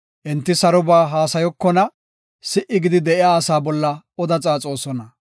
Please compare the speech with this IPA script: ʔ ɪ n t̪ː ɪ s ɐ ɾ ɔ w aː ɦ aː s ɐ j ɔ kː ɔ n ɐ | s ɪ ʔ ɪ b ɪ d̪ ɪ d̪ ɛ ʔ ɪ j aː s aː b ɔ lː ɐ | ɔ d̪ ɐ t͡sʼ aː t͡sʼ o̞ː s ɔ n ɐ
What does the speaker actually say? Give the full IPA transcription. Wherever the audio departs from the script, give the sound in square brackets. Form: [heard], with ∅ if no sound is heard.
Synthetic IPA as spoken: ʔ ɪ n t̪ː ɪ s ɐ ɾ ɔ [b] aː ɦ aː s ɐ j ɔ kː ɔ n ɐ | s ɪ ʔ ɪ [ɡ] ɪ d̪ ɪ d̪ ɛ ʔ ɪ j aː s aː b ɔ lː ɐ | ɔ d̪ ɐ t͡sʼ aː t͡sʼ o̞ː s ɔ n ɐ